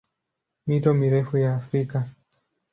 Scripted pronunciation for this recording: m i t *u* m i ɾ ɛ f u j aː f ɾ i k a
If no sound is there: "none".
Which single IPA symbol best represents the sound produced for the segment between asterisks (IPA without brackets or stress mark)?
ɔ